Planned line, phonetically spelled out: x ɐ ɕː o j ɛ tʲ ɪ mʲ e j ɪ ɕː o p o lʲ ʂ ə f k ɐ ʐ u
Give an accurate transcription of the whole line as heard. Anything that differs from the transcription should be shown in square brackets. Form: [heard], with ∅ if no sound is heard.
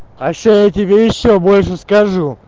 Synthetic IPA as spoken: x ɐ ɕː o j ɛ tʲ ɪ [bʲ] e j ɪ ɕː o [b] o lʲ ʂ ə [s] k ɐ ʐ u